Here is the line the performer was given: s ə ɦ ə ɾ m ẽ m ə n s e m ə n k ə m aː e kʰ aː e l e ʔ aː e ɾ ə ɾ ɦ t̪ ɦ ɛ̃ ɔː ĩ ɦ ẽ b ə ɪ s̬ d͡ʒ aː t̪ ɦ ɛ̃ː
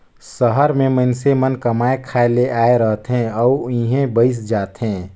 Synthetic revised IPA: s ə ɦ ə ɾ m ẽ m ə n s e m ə n k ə m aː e kʰ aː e l e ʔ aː e ɾ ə ɦ t̪ ɦ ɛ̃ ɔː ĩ ɦ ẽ b ə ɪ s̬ d͡ʒ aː t̪ ɦ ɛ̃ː